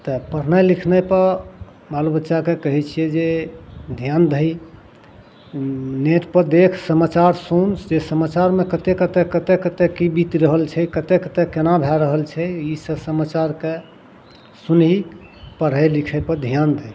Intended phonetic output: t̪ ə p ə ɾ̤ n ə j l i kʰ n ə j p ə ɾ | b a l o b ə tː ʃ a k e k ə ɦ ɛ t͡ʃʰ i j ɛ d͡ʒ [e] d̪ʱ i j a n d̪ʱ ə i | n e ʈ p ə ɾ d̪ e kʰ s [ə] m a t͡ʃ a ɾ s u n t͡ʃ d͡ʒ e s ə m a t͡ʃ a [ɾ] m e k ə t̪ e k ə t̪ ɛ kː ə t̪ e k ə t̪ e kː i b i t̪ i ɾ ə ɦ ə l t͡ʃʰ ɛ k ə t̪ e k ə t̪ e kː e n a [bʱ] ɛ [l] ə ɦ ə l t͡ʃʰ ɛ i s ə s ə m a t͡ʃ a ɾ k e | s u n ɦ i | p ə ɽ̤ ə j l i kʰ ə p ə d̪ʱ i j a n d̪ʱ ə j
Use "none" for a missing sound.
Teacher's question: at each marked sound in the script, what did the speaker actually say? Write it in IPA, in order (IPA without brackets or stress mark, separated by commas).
e, ə, ɾ, bʱ, ɾ